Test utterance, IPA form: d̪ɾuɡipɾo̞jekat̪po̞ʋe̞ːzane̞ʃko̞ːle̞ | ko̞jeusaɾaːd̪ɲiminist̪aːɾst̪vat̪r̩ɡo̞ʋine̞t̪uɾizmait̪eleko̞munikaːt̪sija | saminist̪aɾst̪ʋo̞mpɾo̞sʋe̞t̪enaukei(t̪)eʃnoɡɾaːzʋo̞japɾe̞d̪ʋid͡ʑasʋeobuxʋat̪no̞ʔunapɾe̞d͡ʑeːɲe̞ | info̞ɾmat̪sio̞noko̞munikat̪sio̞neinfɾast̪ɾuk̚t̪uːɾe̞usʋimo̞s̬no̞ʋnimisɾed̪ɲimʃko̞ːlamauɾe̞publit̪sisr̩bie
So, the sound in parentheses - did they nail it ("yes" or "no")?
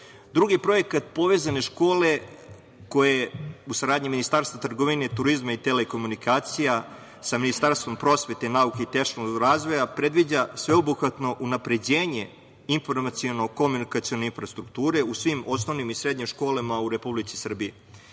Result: yes